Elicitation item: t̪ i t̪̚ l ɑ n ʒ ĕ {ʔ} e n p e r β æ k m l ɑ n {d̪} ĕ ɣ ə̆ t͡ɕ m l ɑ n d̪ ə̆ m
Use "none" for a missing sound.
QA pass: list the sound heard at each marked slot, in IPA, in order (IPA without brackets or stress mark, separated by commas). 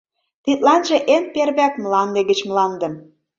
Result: ʔ, d̪